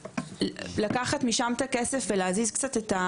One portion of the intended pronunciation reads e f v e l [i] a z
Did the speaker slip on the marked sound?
yes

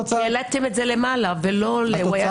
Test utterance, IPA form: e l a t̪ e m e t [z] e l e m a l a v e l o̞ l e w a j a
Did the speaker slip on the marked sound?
no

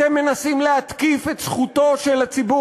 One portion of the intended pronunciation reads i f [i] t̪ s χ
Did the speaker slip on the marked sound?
yes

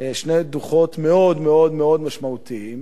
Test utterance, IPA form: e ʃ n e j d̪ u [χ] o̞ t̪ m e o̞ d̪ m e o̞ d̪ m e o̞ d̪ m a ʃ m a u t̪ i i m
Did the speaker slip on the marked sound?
no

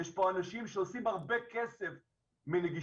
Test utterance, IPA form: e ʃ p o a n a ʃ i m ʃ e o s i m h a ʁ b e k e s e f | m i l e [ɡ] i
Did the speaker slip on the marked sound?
no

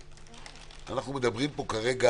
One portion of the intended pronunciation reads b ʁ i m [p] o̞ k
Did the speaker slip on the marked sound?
no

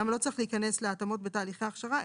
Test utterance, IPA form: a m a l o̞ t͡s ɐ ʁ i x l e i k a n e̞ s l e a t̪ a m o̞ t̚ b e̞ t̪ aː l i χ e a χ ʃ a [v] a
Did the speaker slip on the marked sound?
yes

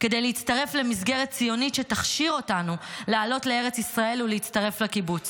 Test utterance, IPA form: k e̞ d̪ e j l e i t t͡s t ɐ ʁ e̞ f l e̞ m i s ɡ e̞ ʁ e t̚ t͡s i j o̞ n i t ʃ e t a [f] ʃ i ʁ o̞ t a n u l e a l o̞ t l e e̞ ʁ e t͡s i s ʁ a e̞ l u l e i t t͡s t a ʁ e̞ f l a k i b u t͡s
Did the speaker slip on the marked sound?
yes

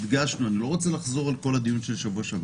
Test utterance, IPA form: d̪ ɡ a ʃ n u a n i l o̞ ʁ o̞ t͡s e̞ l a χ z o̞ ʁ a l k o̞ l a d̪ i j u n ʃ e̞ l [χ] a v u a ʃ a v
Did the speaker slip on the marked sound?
yes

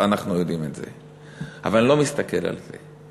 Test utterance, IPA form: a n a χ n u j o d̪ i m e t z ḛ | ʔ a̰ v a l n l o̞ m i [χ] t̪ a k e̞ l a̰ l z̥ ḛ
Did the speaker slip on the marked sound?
yes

